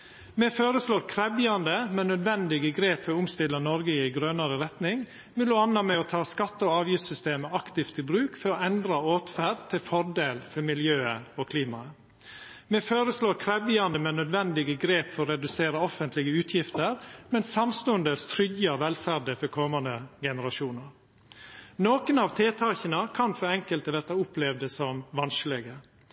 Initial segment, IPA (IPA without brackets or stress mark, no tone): m